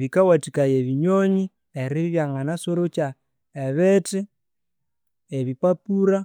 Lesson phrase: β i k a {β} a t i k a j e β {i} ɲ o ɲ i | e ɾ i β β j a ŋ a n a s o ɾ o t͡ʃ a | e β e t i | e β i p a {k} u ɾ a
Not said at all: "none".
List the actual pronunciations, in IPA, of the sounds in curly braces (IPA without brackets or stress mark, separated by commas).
w, i, p